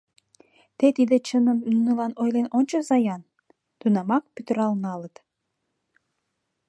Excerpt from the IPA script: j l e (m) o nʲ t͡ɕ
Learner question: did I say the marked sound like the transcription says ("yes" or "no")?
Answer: no